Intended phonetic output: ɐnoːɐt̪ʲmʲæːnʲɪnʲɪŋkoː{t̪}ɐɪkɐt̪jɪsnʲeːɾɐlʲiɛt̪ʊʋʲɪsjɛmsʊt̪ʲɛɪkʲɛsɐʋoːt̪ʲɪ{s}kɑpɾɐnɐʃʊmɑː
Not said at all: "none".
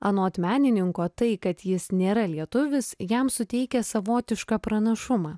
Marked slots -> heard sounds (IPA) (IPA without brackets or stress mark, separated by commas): t̪, ʃ